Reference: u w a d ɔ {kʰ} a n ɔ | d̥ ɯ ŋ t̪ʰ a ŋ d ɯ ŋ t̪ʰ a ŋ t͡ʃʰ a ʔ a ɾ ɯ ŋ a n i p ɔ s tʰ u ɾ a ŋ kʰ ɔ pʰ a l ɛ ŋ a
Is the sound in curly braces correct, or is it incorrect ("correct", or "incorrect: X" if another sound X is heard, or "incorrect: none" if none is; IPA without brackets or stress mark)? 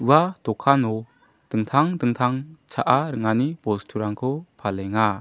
correct